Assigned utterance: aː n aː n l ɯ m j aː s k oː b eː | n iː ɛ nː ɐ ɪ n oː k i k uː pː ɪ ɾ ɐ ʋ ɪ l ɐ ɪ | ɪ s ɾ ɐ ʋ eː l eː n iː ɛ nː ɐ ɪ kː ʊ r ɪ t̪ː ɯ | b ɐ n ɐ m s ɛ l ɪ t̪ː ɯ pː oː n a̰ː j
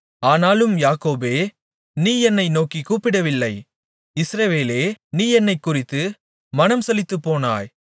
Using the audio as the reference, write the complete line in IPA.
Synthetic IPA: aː n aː l ɯ m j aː k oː b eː | n iː ɛ nː ɐ ɪ n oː k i k uː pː ɪ ɽ ɐ ʋ ɪ lː ɐ ɪ | ɪ s ɾ ɐ ʋ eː l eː n iː ɛ nː ɐ ɪ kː ʊ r ɪ t̪ː ɯ | m ɐ n ɐ m s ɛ l ɪ t̪ː ɯ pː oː n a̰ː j